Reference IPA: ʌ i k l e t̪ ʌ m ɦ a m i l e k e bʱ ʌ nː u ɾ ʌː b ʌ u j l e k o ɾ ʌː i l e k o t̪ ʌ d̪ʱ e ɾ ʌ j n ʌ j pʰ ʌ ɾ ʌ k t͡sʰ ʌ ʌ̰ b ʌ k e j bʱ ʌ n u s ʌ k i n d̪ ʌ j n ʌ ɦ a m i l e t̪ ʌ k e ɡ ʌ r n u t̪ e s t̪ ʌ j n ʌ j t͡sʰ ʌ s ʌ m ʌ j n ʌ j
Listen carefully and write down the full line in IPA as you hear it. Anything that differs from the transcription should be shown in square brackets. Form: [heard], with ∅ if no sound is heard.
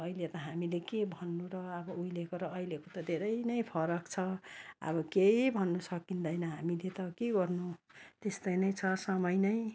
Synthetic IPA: ʌ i [∅] l e t̪ ʌ [∅] ɦ a m i l e k e bʱ ʌ nː u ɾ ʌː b ʌ u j l e k o ɾ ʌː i l e k o t̪ ʌ d̪ʱ e ɾ ʌ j n ʌ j pʰ ʌ ɾ ʌ k t͡sʰ ʌ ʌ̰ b ʌ k e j bʱ ʌ [nː] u s ʌ k i n d̪ ʌ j n ʌ ɦ a m i l e t̪ ʌ k e ɡ ʌ r n u t̪ e s t̪ ʌ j n ʌ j t͡sʰ ʌ s ʌ m ʌ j n ʌ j